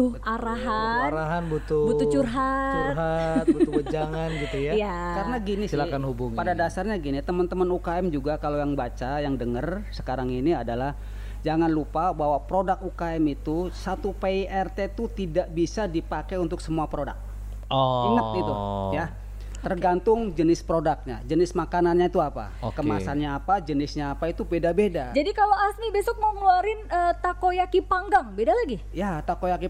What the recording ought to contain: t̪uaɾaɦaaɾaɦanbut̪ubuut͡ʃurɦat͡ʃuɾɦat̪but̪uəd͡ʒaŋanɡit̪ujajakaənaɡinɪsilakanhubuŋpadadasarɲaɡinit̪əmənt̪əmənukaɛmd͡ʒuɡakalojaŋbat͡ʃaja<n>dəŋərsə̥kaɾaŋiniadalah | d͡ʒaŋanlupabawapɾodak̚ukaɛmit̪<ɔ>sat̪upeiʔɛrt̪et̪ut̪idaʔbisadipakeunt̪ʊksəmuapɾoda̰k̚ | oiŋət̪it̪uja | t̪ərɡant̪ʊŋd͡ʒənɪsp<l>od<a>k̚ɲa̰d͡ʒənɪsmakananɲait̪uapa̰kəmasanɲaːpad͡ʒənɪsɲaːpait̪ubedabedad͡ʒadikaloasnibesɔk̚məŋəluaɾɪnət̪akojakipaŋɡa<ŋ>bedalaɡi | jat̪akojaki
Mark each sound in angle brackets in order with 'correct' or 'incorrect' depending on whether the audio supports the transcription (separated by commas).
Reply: incorrect, incorrect, incorrect, correct, correct